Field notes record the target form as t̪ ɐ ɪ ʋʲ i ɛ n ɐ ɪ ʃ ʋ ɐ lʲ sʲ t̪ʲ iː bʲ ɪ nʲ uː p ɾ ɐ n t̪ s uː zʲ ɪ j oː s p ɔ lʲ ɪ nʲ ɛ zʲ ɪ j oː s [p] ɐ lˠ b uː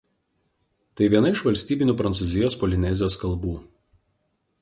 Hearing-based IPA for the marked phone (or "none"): k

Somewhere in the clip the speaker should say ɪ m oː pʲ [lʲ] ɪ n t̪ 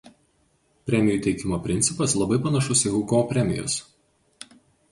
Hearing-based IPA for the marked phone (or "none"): ɾʲ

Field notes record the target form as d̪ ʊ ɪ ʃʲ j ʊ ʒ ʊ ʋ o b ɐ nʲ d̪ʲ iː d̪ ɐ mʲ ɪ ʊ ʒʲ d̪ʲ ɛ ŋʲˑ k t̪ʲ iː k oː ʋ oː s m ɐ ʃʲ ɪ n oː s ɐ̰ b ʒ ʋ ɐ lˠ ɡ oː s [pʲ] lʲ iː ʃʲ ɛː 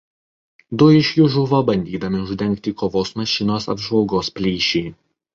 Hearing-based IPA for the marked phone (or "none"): pʲ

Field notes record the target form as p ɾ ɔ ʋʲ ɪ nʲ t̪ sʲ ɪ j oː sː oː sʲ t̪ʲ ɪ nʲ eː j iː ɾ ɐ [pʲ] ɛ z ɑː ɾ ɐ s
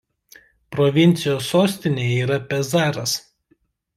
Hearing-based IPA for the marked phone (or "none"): pʲ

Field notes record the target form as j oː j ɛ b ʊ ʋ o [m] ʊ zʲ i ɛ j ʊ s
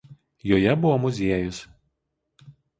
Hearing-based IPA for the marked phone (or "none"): m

